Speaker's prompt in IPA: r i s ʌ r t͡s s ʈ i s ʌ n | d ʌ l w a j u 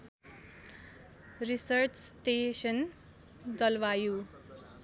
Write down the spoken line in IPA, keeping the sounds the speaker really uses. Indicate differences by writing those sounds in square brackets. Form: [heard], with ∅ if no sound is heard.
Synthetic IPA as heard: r i s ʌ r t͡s s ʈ [e] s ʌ n | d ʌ l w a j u